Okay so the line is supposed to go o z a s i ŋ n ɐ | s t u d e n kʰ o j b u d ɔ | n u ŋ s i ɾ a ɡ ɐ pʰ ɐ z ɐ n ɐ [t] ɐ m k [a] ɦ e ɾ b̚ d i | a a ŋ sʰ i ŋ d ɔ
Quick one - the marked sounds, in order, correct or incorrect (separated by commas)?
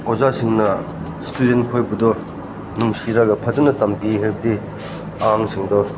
correct, incorrect